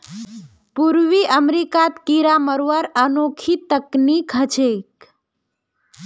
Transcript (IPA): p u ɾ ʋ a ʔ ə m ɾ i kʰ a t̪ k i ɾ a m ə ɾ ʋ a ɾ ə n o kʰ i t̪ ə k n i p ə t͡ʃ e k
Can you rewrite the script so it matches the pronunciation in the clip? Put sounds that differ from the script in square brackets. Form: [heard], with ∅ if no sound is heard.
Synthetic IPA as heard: p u ɾ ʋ [i] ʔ ə m ɾ i [k] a t̪ k i ɾ a m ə ɾ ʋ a ɾ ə n o kʰ i t̪ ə k n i [k] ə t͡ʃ e k